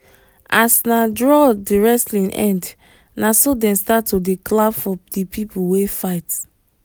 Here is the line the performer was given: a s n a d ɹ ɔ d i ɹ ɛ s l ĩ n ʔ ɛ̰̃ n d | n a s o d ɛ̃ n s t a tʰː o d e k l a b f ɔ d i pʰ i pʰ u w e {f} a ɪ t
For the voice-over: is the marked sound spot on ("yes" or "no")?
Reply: yes